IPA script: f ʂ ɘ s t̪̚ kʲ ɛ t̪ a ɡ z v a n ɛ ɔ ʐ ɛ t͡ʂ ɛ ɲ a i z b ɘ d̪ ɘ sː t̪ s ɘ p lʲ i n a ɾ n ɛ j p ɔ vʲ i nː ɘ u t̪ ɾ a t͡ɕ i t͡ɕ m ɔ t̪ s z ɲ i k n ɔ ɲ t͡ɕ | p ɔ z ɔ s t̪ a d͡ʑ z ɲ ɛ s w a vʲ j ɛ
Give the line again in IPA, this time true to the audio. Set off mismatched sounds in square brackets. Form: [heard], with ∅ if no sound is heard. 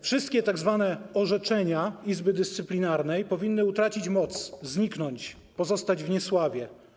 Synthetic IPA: f ʂ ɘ s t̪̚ kʲ ɛ t̪ a ɡ z v a n ɛ ɔ ʐ ɛ t͡ʂ ɛ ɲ a i z b ɘ d̪ ɘ [s] t̪ s ɘ p lʲ i n a ɾ n ɛ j p ɔ vʲ i nː ɘ u t̪ ɾ a t͡ɕ i t͡ɕ m ɔ t̪ s z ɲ i k n ɔ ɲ t͡ɕ | p ɔ z ɔ s t̪ a d͡ʑ [v] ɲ ɛ s w a vʲ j ɛ